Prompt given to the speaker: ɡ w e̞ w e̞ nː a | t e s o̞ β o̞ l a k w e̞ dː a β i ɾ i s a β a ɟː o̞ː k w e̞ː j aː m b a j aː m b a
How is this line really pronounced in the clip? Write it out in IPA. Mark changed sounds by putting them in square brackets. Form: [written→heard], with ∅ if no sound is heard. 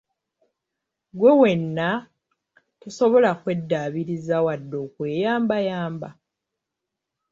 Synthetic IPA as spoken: ɡ w e̞ w e̞ nː a | t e s o̞ β o̞ l a k w e̞ dː a β i ɾ i [s→z] a [β→w] a [ɟː→dː] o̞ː k w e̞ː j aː m b a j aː m b a